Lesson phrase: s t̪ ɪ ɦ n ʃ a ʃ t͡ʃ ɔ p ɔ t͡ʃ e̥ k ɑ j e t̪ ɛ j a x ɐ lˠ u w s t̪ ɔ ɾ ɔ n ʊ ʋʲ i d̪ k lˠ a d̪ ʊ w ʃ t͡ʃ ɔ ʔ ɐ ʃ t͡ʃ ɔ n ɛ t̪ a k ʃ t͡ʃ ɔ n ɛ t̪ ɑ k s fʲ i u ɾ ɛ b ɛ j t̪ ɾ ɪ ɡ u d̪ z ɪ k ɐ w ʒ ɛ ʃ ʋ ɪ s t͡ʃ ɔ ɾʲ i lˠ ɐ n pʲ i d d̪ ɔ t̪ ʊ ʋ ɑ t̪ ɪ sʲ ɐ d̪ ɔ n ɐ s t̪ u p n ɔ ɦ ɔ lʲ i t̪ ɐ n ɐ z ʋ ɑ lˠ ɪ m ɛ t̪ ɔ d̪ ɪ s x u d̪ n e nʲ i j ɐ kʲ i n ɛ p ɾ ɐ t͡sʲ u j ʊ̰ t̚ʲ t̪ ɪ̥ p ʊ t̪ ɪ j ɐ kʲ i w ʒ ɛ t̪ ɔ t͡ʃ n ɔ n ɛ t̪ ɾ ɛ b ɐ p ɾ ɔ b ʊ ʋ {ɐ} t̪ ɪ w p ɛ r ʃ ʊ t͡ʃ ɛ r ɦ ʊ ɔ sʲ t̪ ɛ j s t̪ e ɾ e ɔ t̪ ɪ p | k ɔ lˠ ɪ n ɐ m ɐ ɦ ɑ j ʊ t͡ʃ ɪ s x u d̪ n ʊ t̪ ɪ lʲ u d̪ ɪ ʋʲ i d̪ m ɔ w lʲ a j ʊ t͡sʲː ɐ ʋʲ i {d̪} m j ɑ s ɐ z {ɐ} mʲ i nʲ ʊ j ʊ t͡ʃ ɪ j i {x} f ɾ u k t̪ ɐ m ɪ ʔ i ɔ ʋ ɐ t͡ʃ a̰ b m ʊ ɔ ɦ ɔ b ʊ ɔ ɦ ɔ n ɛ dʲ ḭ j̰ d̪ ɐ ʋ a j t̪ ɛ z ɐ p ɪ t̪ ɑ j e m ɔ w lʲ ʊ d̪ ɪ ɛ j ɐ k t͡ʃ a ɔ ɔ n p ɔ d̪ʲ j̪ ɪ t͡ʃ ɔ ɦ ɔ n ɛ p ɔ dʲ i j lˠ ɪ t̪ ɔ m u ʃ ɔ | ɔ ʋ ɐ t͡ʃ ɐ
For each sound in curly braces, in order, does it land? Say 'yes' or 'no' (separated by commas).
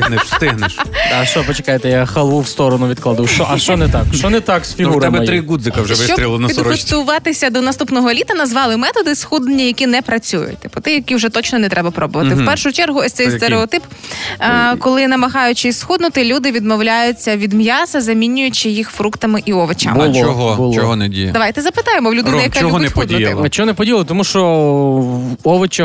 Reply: yes, yes, yes, yes